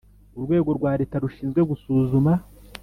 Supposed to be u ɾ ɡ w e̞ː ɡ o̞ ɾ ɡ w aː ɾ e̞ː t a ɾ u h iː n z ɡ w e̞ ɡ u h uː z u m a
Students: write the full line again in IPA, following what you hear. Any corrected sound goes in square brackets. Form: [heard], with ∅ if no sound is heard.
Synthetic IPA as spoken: u ɾ ɡ w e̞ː ɡ o̞ ɾ ɡ w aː ɾ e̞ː t a ɾ u [ʃ] iː n z ɡ w e̞ ɡ u [s] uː z u m a